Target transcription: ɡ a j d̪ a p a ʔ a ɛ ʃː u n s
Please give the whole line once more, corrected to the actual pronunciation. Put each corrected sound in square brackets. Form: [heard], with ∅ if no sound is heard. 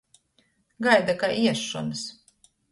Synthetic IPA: ɡ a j d̪ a [k] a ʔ [i] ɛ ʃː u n s